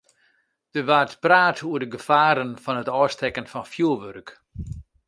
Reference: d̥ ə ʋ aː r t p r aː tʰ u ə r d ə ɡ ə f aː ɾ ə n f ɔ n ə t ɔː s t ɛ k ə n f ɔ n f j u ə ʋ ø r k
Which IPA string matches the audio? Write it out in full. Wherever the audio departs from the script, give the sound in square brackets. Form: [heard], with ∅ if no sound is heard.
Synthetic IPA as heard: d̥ ə ʋ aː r t p r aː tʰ u ə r d ə ɡ ə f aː ɾ ə n f ɔ n ə t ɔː s t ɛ k ə n f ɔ n f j u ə ʋ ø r k